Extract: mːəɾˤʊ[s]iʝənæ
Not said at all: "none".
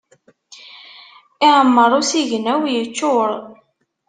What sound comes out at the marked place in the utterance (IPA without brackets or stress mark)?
s